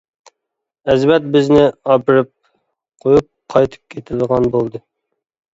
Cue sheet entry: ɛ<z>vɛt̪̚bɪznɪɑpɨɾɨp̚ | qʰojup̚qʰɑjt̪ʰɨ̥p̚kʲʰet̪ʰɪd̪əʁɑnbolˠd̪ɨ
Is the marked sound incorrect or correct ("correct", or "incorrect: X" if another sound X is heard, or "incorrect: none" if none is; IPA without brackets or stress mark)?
correct